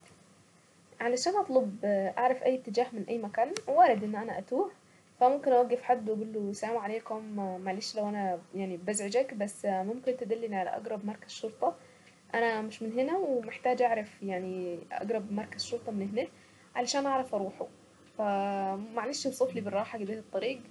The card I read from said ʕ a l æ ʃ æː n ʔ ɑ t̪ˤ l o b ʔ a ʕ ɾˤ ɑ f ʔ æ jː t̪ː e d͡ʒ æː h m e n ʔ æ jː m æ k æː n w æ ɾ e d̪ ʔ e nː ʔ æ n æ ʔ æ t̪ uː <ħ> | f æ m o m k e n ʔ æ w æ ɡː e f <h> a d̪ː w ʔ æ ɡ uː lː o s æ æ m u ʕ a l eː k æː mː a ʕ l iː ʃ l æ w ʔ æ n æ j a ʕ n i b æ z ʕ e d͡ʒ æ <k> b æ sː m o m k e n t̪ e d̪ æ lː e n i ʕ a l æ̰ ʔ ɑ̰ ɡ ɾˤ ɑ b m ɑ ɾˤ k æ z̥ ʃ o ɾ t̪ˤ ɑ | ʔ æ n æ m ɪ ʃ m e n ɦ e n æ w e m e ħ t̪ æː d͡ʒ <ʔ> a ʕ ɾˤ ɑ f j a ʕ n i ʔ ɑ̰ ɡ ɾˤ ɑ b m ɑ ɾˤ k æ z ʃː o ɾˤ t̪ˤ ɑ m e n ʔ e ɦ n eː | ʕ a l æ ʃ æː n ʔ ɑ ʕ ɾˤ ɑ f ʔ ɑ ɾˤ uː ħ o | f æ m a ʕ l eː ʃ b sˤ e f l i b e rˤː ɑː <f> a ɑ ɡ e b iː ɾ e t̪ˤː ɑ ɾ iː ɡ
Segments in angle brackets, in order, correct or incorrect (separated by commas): correct, incorrect, correct, correct, incorrect